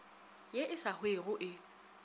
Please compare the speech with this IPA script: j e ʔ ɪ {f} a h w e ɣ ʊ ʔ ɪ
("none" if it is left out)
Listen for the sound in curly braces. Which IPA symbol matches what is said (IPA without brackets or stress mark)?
s